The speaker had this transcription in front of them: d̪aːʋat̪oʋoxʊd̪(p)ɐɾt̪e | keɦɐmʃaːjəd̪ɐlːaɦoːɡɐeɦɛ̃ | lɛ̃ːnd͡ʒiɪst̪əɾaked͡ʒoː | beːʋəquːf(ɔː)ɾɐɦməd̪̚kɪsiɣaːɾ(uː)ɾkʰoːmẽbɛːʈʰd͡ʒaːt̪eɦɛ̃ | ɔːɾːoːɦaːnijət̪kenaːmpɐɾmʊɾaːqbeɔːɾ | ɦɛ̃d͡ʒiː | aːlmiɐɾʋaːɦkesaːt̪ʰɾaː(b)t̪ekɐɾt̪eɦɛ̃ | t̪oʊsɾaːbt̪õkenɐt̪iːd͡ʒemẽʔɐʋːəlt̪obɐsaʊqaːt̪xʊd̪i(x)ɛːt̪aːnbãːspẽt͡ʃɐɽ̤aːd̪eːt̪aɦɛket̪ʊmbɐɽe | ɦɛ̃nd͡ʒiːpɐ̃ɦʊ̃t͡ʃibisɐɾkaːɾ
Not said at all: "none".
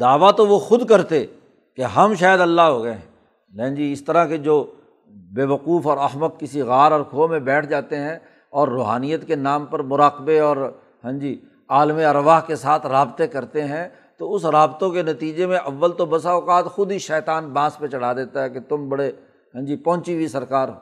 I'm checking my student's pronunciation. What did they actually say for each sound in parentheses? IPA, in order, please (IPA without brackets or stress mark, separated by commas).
k, ɔː, ɔː, b, ʃ